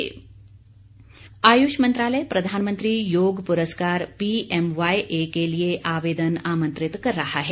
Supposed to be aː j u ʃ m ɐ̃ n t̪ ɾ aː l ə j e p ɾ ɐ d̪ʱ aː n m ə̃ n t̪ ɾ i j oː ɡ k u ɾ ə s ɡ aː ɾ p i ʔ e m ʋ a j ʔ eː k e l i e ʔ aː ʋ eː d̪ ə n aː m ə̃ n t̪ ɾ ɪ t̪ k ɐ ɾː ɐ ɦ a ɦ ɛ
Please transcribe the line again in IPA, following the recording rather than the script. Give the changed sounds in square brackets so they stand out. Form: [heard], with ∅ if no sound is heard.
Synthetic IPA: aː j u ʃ m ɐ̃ n t̪ ɾ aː l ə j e p ɾ ɐ d̪ʱ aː n m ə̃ n t̪ ɾ i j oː ɡ [p] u ɾ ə s [k] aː ɾ p i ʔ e m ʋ a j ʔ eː k e l i e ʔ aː ʋ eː d̪ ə n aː m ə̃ n t̪ ɾ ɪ t̪ k ɐ ɾː ɐ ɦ a ɦ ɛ